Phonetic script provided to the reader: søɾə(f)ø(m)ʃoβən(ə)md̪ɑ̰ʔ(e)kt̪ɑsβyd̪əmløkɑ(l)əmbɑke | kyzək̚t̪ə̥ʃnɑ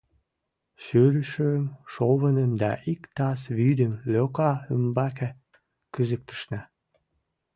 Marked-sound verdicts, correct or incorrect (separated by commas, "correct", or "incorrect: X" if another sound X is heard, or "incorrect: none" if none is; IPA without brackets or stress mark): incorrect: ʃ, correct, correct, incorrect: i, incorrect: none